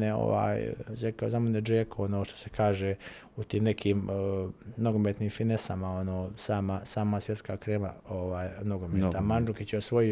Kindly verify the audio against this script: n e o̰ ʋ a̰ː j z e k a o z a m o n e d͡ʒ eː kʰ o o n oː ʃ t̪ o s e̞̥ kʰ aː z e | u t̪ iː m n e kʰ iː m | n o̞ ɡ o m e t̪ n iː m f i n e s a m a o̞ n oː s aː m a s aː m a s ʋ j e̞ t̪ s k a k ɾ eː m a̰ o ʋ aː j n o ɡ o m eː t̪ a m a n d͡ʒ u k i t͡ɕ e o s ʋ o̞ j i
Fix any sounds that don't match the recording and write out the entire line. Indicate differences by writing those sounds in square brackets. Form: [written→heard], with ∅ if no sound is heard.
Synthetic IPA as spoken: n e o̰ ʋ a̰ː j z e k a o z a m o n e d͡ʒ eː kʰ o o n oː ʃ t̪ o s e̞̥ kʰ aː [z→ʒ] e | u t̪ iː m n e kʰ iː m | n o̞ ɡ o m e t̪ n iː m f i n e s a m a o̞ n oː s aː m a s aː m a s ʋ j e̞ t̪ s k a k ɾ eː m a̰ o ʋ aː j n o ɡ o m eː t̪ a m a n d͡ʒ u k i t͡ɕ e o s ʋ o̞ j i